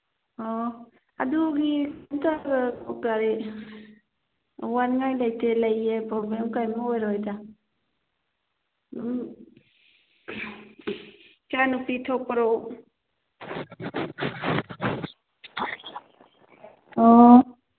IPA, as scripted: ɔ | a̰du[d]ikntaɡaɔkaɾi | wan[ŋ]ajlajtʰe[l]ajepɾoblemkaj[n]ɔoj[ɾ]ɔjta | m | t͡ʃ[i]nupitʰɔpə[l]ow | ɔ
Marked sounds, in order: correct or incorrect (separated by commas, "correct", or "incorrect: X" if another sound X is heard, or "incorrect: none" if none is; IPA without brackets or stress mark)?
incorrect: ɡ, correct, correct, incorrect: m, correct, incorrect: a, incorrect: ɾ